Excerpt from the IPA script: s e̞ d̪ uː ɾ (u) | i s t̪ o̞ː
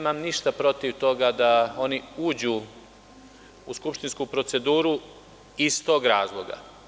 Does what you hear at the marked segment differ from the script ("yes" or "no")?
no